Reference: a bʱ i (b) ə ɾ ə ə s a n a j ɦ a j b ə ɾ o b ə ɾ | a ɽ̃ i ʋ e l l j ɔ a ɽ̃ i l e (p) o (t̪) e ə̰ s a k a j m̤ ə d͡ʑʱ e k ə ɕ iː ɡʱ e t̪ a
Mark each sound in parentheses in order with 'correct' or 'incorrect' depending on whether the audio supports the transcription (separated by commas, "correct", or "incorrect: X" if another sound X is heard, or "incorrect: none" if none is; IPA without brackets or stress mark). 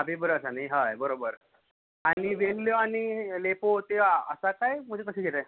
correct, correct, correct